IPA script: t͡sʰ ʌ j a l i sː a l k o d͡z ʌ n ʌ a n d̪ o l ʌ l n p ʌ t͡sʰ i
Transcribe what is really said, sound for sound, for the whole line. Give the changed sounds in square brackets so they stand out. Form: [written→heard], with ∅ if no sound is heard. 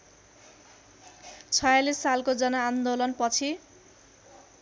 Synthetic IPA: t͡sʰ ʌ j a l i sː a l k o d͡z ʌ n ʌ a n d̪ o l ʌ [l→∅] n p ʌ t͡sʰ i

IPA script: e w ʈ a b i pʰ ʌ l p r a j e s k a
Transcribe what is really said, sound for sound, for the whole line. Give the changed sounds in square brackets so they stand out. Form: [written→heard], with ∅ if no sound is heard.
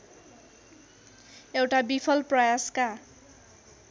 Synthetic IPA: e w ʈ a b i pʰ ʌ l p r [a→ʌ] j [e→a] s k a

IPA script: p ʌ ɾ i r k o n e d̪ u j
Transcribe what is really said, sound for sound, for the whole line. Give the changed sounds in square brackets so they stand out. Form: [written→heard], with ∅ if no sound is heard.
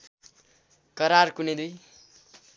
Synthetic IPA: [p→k] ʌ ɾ [i→a] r k [o→u] n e d̪ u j

